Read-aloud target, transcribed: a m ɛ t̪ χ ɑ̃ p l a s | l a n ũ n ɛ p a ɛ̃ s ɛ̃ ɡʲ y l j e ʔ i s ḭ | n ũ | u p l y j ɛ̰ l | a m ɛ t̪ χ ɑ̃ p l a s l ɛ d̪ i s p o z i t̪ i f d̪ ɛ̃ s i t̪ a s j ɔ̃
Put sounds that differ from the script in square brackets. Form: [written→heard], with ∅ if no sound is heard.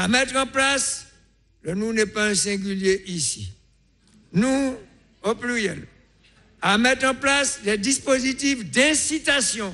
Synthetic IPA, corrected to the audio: a m ɛ t̪ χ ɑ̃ p l a s | l [a→ə] n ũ n ɛ p a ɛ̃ s ɛ̃ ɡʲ y l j e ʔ i s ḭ | n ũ | [u→o] p l y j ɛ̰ l | a m ɛ t̪ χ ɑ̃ p l a s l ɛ d̪ i s p o z i t̪ i f d̪ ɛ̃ s i t̪ a s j ɔ̃